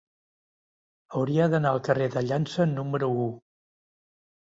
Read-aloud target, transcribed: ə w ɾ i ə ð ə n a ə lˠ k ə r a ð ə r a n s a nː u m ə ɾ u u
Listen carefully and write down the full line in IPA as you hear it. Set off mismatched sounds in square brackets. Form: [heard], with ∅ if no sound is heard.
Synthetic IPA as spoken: ə w ɾ i ə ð ə n a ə lˠ k ə r [e] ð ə [ʎ] a n s [ə] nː u m ə ɾ u u